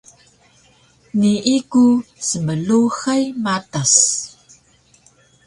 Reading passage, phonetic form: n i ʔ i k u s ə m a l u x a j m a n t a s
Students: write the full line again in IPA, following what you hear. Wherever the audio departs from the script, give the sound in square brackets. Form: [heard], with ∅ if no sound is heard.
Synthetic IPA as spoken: n i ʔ i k u s ə m [ə] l u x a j m a [∅] t a s